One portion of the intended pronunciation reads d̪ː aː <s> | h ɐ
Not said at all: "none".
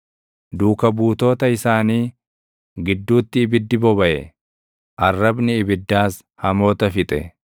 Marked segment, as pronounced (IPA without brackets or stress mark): s